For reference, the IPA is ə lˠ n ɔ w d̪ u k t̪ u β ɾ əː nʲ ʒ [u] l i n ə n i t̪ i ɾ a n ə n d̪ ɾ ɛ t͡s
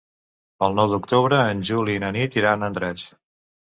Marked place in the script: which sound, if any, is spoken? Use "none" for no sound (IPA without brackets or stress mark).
u